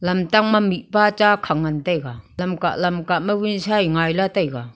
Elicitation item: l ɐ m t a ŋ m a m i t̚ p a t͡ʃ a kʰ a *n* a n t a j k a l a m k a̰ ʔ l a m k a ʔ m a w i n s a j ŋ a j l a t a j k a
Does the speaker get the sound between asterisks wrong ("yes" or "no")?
yes